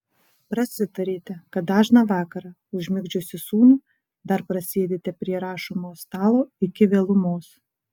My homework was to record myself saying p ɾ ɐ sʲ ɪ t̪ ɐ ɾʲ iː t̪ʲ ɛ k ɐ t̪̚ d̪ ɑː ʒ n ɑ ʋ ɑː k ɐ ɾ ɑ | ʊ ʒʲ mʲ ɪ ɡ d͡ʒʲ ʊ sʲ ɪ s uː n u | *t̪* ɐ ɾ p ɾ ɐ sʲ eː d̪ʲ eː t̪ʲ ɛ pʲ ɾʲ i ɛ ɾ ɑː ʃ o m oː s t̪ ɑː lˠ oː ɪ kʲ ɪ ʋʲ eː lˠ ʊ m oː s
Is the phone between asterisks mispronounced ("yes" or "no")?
yes